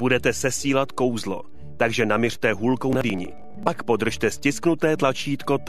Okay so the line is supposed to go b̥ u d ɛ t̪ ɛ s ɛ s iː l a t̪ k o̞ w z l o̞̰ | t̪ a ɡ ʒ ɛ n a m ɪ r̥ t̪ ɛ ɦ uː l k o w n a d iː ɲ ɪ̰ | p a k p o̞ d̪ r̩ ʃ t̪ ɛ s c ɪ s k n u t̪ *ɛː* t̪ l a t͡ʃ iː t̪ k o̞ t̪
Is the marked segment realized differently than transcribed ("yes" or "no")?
no